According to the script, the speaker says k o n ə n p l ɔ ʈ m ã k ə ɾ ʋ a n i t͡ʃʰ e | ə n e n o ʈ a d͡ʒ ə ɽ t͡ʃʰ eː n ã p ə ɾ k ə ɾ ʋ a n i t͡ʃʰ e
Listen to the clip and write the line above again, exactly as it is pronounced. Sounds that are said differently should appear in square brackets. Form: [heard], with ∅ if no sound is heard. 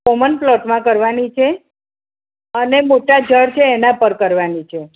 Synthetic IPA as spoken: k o [m] ə n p l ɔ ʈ m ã k ə ɾ ʋ a n i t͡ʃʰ e | ə n e [m] o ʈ a d͡ʒ ə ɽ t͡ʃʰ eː n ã p ə ɾ k ə ɾ ʋ a n i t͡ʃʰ e

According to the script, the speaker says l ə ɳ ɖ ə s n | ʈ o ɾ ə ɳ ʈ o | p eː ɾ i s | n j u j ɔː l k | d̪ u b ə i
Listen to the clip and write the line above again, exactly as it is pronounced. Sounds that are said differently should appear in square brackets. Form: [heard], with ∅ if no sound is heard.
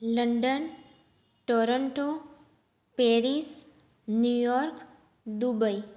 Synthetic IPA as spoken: l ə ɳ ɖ ə [∅] n | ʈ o ɾ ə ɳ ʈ o | p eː ɾ i s | n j u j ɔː [ɾ] k | d̪ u b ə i

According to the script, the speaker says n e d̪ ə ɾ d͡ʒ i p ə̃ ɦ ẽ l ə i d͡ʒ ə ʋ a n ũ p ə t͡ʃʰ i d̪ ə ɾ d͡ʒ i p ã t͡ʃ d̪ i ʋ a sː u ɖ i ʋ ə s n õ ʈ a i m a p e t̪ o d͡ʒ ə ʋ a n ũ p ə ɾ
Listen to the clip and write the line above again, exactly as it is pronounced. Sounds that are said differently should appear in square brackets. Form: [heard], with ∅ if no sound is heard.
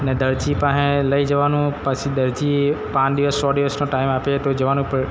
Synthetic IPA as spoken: n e d̪ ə ɾ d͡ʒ i p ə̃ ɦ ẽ l ə i d͡ʒ ə ʋ a n ũ p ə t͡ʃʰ i d̪ ə ɾ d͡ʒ i p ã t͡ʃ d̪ i ʋ [ə] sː [ɔ] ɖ i ʋ ə s n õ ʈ a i m a p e t̪ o d͡ʒ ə ʋ a n ũ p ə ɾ

